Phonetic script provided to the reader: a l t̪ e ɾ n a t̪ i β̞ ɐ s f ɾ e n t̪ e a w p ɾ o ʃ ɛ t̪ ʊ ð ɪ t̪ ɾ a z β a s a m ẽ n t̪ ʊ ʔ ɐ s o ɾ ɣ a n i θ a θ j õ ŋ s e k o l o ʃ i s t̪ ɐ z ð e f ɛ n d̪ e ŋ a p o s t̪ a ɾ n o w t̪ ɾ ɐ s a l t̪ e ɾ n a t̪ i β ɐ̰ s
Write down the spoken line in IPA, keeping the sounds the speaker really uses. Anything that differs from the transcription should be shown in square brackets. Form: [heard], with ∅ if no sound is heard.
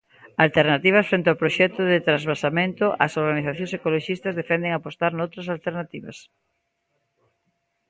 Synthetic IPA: a l t̪ e ɾ n a t̪ i β̞ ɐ s f ɾ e n t̪ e a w p ɾ o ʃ ɛ t̪ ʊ ð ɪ t̪ ɾ a z β a s a m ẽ n t̪ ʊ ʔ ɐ s o ɾ ɣ a n i θ a θ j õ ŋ s e k o l o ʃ i s t̪ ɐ z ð e f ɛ n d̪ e ŋ a p o s t̪ a ɾ n o w t̪ ɾ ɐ s a l t̪ e ɾ n a t̪ i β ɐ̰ s

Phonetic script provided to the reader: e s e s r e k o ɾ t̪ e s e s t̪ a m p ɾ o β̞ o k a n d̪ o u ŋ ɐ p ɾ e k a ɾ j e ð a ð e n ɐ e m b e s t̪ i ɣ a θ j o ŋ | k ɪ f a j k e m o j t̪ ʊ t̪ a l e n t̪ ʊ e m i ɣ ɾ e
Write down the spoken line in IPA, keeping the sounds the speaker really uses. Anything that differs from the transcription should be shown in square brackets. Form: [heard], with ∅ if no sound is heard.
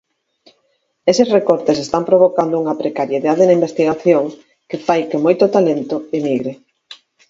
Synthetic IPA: e s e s r e k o ɾ t̪ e s e s t̪ a m p ɾ o β̞ o k a n d̪ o u ŋ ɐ p ɾ e k a ɾ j e ð a ð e n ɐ [i] m b e s t̪ i ɣ a θ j o ŋ | k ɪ f a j k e m o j t̪ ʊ t̪ a l e n t̪ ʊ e m i ɣ ɾ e

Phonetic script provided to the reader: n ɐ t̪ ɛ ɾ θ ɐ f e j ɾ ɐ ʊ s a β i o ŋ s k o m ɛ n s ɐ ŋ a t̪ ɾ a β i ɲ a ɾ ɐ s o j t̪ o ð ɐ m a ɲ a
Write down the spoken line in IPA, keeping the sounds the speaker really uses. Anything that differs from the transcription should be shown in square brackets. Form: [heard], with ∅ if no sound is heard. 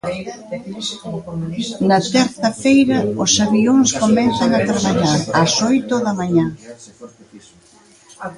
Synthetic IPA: n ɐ t̪ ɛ ɾ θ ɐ f e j ɾ ɐ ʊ s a β i o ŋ s k o m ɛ n [θ] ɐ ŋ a t̪ ɾ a β [a] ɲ a ɾ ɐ s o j t̪ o ð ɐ m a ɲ a

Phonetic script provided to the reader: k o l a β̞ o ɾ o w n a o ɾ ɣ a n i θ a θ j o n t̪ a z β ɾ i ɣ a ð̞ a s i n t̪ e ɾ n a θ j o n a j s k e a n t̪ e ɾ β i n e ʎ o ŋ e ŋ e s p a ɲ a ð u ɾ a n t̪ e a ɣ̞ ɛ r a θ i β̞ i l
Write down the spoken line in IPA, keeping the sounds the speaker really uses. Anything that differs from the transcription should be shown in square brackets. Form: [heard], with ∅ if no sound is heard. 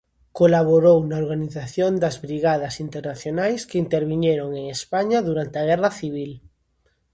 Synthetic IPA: k o l a β̞ o ɾ o w n a o ɾ ɣ a n i θ a θ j o n [d̪] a z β ɾ i ɣ a ð̞ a s i n t̪ e ɾ n a θ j o n a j s k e [i] n t̪ e ɾ β i [ɲ] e [ɾ] o ŋ e ŋ e s p a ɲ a ð u ɾ a n t̪ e a ɣ̞ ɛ r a θ i β̞ i l

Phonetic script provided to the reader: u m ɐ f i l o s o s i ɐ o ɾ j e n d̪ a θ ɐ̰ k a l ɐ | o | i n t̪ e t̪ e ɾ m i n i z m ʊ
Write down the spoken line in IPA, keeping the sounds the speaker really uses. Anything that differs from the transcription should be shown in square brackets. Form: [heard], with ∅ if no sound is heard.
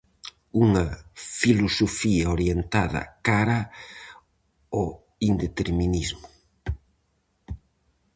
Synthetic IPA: u [ŋ] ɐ f i l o s o [f] i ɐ o ɾ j e n [t̪] a [ð] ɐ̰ k a [ɾ] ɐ | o | i n [d̪] e t̪ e ɾ m i n i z m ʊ

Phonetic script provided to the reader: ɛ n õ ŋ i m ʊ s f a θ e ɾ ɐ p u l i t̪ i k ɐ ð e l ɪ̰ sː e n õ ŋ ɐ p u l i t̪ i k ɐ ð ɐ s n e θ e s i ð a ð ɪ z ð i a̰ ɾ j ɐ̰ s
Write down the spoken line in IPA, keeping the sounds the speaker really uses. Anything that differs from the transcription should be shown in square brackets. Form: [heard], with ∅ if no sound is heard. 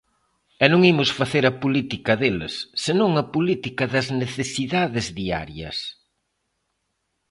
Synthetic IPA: ɛ n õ ŋ i m ʊ s f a θ e ɾ ɐ p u l i t̪ i k ɐ ð e l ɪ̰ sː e n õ ŋ ɐ p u l i t̪ i k ɐ ð ɐ [z] n e θ e s i ð a ð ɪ z ð i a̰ ɾ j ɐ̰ s

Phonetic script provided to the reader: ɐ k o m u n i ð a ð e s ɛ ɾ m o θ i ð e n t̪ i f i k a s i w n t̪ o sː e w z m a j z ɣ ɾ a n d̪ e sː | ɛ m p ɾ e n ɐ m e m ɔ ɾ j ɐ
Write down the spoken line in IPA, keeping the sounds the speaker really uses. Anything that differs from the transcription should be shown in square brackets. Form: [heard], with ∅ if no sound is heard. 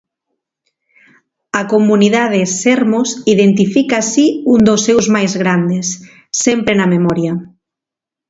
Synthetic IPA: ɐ k o m u n i ð a ð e s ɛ ɾ m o [s] i ð e n t̪ i f i k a s i [u] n [d̪] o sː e w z m a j z ɣ ɾ a n d̪ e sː | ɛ m p ɾ e n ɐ m e m ɔ ɾ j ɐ

